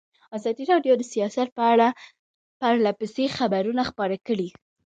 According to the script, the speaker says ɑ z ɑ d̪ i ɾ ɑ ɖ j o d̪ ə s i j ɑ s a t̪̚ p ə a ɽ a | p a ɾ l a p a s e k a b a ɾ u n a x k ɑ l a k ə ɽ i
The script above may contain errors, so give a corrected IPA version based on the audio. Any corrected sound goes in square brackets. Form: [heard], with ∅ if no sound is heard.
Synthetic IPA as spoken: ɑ z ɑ d̪ i ɾ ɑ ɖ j o d̪ ə s i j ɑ s a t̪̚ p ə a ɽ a | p a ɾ l a p [ə] s e [x] a b a ɾ u n a x [p] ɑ [ɾ] a k ə ɽ i